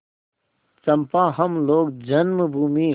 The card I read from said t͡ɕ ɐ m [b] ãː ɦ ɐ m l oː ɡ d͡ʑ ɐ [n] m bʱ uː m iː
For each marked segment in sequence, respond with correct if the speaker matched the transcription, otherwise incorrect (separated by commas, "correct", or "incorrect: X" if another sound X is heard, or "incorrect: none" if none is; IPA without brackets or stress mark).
incorrect: p, correct